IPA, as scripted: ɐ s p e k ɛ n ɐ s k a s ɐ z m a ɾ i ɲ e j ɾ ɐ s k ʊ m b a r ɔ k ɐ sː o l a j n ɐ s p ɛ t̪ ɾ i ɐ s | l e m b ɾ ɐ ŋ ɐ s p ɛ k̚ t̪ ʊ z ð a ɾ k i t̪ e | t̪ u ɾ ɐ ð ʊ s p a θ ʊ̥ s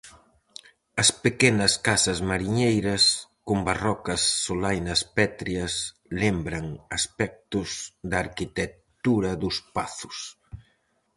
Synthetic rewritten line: ɐ s p e k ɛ n ɐ s k a s ɐ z m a ɾ i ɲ e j ɾ ɐ s k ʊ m b a r ɔ k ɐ sː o l a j n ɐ s p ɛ t̪ ɾ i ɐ s | l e m b ɾ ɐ ŋ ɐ s p ɛ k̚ t̪ ʊ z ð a ɾ k i t̪ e | t̪ u ɾ ɐ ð ʊ s p a θ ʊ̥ s